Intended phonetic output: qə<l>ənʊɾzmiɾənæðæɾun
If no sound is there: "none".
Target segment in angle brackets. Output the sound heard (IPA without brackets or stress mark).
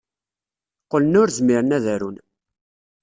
l